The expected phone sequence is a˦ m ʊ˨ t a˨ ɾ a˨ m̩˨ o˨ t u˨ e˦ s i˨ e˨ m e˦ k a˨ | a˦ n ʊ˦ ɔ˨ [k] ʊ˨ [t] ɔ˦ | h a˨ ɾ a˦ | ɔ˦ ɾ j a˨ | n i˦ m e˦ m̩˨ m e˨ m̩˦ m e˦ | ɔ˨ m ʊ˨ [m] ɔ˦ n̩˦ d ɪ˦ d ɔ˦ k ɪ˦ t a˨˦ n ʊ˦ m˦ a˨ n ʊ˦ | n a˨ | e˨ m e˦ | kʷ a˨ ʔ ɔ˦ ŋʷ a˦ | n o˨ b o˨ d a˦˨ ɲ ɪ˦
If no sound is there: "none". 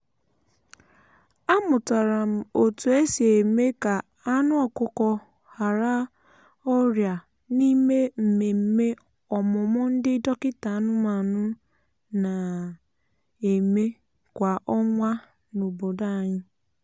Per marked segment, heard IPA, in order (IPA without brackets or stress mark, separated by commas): k, k, m